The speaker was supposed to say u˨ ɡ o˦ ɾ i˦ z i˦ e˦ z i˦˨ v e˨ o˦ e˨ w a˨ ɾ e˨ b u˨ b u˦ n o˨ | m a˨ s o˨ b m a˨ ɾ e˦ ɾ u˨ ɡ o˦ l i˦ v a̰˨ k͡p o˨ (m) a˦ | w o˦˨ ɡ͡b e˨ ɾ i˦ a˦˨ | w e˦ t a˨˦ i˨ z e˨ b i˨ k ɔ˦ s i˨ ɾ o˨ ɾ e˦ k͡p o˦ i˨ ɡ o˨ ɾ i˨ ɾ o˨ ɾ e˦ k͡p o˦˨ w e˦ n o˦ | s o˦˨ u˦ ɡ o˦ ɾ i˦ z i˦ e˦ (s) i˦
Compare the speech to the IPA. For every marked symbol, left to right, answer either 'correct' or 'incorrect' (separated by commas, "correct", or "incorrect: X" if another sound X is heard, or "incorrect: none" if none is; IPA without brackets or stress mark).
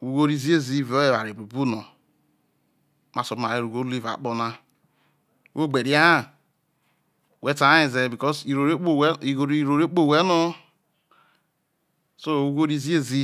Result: incorrect: n, incorrect: z